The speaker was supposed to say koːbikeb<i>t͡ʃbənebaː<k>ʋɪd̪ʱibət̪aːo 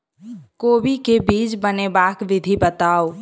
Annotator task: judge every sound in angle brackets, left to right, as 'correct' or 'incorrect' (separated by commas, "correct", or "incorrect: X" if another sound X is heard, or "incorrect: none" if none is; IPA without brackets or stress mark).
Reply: incorrect: iː, correct